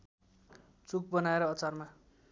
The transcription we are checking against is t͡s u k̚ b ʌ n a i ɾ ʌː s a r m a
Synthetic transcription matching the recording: t͡s u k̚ b ʌ n a e ɾ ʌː t͡s a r m a